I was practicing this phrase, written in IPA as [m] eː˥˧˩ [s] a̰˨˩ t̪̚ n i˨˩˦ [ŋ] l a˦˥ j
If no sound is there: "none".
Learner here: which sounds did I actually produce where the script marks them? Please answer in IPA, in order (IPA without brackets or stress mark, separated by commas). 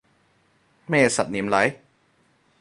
m, s, m